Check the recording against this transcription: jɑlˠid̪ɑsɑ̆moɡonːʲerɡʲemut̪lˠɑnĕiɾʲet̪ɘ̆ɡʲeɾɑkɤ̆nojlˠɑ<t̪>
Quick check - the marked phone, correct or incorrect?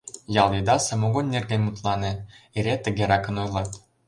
correct